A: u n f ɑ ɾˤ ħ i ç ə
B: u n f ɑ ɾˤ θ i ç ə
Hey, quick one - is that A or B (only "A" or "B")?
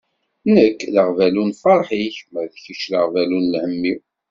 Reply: A